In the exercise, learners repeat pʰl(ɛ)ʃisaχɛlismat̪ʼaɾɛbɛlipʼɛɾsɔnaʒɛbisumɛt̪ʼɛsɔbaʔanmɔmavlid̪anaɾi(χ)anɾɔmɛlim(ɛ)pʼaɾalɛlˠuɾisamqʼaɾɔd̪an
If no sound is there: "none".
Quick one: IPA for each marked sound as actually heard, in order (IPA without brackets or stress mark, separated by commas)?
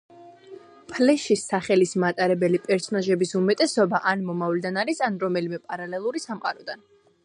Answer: ɛ, s, ɛ